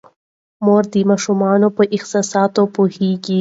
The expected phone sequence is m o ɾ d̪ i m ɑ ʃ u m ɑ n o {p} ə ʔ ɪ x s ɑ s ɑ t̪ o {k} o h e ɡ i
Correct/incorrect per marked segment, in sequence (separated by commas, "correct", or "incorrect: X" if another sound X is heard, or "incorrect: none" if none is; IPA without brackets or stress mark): correct, incorrect: p